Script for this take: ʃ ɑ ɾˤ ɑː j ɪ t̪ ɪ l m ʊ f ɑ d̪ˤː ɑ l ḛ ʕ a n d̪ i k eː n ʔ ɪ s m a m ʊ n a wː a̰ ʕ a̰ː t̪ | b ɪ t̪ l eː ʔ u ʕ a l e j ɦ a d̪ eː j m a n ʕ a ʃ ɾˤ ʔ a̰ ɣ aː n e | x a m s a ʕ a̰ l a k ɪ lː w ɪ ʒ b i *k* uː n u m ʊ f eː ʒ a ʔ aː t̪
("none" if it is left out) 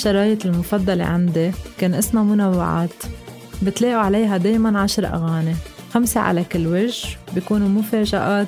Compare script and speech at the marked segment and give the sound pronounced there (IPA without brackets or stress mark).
k